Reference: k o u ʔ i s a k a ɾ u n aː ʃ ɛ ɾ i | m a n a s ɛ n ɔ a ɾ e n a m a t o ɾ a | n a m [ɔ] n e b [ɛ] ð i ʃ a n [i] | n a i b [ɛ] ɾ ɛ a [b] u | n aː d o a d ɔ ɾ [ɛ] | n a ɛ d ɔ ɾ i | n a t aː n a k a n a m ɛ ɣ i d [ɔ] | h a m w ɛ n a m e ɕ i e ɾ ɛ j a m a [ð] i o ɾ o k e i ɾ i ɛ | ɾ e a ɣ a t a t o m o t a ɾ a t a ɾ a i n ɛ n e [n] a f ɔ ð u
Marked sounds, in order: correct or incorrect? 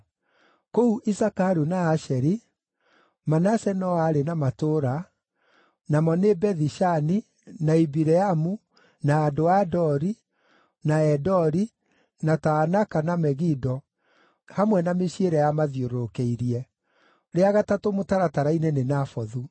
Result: correct, correct, correct, incorrect: i, incorrect: m, incorrect: i, correct, correct, correct

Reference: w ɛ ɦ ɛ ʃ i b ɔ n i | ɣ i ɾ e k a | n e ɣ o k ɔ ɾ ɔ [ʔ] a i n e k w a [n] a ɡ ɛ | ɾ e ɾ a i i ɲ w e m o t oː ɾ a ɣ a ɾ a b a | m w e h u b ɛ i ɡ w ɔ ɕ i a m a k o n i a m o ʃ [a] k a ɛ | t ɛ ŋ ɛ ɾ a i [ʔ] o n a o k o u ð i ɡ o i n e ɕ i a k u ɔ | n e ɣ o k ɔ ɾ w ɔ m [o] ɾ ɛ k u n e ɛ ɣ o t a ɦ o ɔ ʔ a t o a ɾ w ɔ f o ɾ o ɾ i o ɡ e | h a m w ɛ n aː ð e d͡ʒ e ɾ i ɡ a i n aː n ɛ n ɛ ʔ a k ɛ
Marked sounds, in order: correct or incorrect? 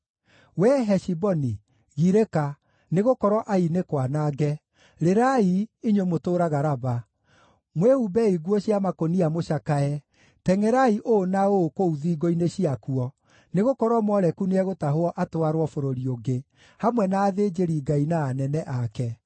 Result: correct, correct, correct, correct, incorrect: ɔ

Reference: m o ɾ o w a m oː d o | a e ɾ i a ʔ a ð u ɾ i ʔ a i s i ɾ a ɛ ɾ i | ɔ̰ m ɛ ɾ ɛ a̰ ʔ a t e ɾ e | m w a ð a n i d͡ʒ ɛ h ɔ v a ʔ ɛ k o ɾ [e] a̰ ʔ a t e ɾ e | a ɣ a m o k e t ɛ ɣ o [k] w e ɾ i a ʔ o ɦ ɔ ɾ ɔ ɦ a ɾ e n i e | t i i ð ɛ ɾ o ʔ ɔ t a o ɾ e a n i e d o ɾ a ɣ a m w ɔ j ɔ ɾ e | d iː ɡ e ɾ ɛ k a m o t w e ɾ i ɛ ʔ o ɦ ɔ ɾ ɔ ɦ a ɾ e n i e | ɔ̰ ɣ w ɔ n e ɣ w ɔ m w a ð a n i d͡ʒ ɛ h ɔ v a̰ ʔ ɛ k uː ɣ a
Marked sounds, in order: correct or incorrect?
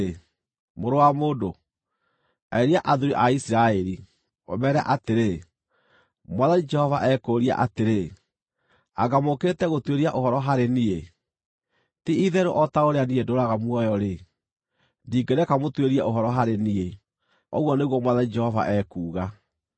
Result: incorrect: i, incorrect: t

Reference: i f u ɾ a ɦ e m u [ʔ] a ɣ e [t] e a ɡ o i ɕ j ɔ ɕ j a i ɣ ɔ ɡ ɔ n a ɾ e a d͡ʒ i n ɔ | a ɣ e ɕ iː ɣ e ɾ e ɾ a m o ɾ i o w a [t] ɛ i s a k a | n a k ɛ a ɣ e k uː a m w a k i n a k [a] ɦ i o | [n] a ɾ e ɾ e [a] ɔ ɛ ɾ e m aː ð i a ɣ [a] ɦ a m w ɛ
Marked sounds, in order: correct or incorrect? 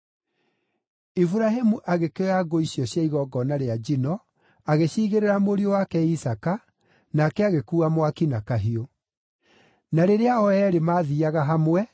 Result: correct, incorrect: k, incorrect: k, correct, correct, correct, correct

